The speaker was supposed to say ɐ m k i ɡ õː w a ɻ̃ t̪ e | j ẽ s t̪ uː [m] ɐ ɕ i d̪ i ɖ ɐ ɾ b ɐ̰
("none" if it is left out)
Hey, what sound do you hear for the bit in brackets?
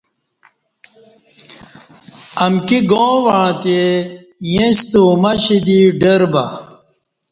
m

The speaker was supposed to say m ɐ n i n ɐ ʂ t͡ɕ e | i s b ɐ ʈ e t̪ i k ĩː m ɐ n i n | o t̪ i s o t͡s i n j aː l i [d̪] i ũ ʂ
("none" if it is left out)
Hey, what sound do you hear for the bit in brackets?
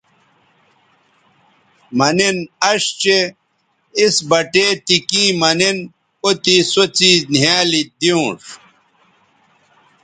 d̪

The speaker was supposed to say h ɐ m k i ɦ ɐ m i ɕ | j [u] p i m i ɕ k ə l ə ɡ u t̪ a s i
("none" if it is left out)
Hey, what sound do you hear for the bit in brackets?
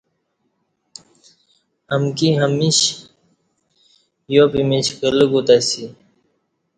o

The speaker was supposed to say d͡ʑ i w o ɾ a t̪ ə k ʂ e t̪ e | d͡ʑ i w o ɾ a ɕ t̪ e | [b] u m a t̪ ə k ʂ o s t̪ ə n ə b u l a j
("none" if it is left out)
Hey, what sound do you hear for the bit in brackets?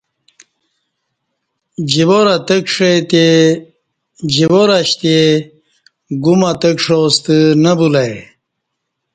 ɡ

